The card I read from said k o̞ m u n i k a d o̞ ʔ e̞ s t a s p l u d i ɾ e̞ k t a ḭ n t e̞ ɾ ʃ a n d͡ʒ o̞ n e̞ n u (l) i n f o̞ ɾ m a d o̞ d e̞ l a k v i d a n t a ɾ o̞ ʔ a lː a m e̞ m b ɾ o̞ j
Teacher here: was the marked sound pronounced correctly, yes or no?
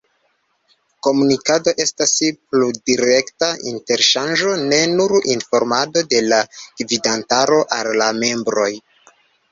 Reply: no